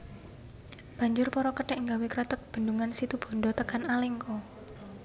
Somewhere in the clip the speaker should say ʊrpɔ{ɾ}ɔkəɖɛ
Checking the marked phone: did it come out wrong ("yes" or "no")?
no